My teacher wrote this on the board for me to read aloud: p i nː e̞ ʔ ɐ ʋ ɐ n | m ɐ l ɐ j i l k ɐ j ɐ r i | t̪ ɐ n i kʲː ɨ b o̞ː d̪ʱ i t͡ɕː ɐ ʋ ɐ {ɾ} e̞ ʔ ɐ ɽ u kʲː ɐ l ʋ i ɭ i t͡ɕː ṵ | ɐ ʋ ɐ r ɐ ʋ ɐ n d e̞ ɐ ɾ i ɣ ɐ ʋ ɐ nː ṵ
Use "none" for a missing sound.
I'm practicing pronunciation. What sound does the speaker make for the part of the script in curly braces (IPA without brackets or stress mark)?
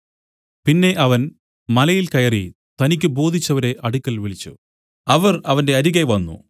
ɾ